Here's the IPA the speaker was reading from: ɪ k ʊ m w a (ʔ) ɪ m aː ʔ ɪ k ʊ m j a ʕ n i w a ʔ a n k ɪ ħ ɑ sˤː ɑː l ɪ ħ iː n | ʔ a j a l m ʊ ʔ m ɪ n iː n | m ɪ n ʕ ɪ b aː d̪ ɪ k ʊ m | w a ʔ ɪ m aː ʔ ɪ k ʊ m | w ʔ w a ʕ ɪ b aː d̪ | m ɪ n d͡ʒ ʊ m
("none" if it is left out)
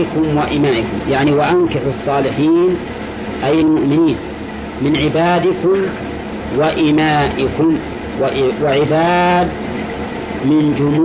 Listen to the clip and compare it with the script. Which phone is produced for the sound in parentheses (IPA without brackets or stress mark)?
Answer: ʔ